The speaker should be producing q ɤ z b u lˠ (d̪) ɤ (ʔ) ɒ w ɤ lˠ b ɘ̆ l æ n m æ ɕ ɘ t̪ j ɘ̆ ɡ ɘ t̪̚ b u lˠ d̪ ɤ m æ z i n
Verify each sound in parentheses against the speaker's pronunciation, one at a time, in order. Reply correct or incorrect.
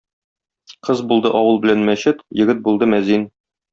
correct, correct

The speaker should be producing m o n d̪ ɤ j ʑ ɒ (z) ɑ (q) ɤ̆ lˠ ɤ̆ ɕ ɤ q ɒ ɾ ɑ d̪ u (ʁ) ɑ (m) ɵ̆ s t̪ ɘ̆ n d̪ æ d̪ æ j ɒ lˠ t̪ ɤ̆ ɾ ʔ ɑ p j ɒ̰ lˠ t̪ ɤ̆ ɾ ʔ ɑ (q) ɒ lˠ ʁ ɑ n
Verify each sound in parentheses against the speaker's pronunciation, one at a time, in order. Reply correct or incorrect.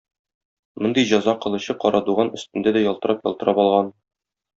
correct, correct, correct, incorrect, incorrect

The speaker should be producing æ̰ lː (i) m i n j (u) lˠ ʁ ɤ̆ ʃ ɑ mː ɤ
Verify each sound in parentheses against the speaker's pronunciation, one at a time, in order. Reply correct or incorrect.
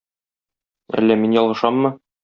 incorrect, incorrect

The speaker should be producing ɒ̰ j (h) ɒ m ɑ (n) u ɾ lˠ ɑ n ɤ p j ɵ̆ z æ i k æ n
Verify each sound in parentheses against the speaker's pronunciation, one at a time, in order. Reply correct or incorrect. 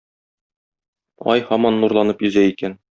correct, incorrect

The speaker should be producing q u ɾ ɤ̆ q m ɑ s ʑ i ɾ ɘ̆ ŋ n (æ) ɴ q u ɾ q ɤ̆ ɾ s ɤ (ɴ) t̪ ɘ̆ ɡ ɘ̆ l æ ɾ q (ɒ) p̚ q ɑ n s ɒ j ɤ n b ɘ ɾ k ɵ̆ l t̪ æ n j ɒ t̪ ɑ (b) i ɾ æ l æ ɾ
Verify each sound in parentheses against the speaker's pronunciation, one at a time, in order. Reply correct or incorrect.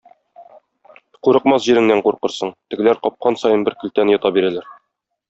correct, correct, correct, correct

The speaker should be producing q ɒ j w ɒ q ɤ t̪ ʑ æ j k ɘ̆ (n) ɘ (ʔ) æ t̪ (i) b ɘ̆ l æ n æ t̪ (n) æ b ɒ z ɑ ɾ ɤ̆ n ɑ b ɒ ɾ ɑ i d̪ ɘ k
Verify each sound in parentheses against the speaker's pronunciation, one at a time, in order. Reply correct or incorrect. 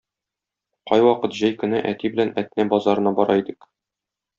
correct, correct, correct, correct

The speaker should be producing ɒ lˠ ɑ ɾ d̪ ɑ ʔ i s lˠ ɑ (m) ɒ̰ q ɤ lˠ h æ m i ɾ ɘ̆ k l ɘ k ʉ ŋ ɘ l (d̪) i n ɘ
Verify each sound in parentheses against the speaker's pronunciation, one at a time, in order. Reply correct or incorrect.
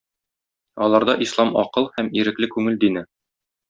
correct, correct

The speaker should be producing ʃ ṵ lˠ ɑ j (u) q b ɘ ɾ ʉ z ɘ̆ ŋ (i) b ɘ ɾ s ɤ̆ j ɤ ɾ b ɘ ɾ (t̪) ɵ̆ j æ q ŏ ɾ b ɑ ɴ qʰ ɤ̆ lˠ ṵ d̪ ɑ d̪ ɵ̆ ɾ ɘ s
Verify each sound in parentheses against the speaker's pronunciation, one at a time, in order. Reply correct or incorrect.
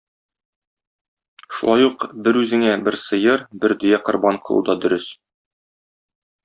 correct, incorrect, incorrect

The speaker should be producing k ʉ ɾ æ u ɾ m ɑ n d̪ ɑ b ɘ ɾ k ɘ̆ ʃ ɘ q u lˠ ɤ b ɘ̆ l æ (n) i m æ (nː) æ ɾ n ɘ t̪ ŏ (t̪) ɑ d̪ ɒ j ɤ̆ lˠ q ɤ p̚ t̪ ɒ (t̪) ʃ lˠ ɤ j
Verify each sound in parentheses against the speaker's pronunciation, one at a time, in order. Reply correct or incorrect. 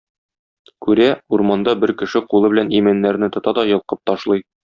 correct, correct, correct, incorrect

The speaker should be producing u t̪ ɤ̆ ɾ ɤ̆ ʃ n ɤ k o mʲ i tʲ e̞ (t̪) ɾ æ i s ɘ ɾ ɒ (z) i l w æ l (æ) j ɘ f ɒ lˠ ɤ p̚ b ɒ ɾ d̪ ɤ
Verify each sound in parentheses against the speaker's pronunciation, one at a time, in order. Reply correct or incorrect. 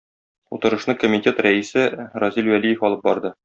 correct, correct, incorrect

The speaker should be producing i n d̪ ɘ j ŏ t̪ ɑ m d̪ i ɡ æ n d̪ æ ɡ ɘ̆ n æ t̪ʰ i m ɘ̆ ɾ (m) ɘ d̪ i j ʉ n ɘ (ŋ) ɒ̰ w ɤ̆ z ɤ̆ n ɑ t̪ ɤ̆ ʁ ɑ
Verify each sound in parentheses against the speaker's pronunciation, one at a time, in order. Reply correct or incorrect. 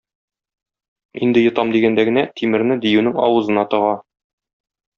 incorrect, correct

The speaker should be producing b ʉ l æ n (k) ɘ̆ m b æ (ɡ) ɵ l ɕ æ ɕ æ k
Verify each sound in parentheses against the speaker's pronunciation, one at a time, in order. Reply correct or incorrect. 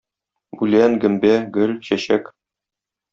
incorrect, correct

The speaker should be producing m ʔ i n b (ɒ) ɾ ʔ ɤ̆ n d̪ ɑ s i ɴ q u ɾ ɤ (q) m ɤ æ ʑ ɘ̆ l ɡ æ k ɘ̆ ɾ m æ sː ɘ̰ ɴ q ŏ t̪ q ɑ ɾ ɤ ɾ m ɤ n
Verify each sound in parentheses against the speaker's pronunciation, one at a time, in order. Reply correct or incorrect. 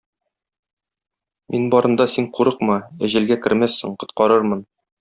correct, correct

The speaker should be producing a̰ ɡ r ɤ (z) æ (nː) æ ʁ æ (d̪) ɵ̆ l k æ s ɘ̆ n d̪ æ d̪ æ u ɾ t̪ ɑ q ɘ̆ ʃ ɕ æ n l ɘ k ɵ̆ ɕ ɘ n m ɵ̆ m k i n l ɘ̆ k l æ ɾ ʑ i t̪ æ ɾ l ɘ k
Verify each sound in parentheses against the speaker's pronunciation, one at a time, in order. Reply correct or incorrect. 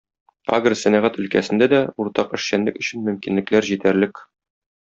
incorrect, incorrect, incorrect

